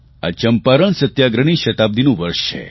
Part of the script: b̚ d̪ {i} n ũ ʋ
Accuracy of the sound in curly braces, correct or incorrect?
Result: correct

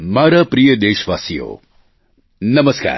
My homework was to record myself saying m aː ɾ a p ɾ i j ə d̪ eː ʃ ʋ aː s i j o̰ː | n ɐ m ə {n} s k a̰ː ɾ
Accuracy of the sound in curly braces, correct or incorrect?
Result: incorrect: none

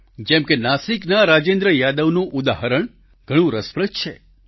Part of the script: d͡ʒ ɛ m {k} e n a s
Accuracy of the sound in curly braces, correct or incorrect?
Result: correct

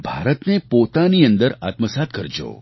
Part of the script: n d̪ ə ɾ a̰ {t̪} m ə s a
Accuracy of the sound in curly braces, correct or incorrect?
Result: correct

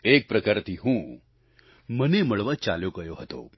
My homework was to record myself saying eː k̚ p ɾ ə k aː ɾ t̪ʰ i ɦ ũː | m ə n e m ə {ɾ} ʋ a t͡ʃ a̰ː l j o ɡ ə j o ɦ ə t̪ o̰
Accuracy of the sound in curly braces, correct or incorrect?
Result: incorrect: ɭ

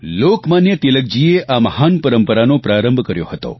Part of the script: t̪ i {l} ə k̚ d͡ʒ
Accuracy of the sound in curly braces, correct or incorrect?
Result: correct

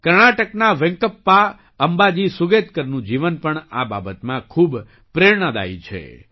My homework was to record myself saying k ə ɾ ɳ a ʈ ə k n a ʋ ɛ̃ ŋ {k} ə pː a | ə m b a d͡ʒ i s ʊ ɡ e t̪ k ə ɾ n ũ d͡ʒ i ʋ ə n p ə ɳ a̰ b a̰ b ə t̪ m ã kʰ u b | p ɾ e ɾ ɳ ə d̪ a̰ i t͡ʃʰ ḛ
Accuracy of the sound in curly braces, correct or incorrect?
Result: correct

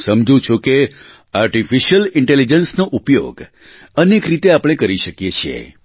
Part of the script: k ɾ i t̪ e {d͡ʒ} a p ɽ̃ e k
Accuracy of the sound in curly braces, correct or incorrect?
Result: incorrect: none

